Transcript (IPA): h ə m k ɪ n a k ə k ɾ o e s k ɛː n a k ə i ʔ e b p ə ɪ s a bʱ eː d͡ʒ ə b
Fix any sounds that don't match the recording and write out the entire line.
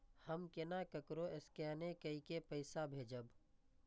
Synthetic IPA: h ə m k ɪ n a k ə k ɾ o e s k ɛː n e k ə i k e p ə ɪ s a bʱ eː d͡ʒ ə b